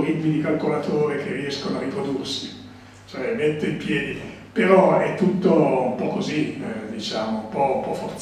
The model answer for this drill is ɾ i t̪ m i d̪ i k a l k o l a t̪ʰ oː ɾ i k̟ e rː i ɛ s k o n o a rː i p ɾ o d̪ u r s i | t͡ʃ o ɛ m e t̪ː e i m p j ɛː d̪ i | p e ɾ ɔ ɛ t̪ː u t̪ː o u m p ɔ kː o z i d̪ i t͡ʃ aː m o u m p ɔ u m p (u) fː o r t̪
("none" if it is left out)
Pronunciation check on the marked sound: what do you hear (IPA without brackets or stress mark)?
ɔ